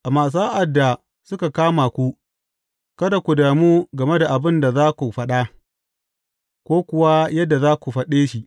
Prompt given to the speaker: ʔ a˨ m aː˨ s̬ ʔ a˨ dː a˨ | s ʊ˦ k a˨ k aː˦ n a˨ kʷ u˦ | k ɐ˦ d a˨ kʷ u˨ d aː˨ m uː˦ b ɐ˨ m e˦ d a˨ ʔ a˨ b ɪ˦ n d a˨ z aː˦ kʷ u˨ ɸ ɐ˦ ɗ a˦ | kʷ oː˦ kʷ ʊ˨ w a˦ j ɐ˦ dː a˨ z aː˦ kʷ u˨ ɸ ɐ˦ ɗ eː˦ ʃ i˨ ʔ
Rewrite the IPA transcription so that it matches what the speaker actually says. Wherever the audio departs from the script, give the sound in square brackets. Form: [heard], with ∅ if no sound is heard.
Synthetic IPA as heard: ʔ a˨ m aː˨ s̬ ʔ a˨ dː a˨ | s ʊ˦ k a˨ k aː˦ [m] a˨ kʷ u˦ | k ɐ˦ d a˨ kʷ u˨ d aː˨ m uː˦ [ɡ] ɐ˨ m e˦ d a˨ ʔ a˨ b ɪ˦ n d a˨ z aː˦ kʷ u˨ ɸ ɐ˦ ɗ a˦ | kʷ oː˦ kʷ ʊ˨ w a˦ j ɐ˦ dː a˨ z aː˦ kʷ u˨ ɸ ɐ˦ ɗ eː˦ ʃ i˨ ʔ